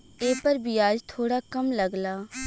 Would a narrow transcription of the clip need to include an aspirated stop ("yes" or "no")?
yes